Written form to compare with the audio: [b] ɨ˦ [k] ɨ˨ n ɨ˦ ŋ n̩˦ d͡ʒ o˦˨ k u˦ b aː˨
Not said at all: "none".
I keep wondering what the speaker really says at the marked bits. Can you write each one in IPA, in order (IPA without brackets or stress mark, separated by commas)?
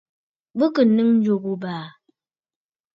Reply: b, k